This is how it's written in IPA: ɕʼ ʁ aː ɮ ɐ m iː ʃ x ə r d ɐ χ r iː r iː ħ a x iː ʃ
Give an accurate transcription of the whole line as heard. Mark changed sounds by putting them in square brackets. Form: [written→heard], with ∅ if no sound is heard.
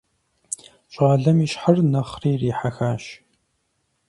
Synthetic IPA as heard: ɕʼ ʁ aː ɮ ɐ m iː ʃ [x→ħ] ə r [d→n] ɐ χ r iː r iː ħ a x [iː→aː] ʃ